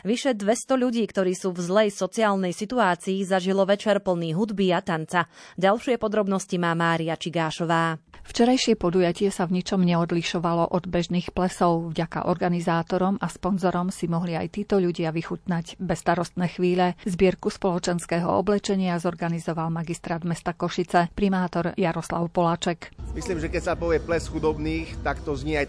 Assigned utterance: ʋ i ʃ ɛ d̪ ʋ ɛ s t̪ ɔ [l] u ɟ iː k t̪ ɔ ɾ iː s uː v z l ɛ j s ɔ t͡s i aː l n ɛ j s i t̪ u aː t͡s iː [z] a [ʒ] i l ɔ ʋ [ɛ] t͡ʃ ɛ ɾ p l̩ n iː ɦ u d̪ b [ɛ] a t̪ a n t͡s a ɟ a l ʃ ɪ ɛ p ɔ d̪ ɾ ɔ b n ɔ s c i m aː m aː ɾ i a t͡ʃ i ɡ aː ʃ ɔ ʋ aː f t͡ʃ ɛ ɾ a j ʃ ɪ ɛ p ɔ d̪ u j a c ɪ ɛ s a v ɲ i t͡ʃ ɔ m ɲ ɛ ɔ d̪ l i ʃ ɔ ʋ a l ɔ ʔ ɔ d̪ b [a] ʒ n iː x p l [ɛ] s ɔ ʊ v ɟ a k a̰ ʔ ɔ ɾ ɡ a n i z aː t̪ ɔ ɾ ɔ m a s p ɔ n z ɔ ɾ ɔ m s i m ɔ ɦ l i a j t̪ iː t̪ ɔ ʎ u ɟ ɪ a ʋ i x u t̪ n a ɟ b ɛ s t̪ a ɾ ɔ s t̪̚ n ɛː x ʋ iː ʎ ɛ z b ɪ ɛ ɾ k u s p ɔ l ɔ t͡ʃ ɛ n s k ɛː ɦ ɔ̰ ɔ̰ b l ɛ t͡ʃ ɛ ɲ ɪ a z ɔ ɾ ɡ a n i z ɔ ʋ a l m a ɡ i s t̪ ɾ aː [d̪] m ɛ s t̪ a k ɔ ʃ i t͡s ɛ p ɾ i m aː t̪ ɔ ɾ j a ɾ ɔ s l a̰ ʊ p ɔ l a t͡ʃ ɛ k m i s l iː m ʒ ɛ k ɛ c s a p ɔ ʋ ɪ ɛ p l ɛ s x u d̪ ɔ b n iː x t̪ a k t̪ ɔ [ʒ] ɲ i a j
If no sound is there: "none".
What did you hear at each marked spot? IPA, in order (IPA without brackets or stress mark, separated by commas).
ʎ, z, ʒ, ɛ, i, ɛ, ɛ, d̪, z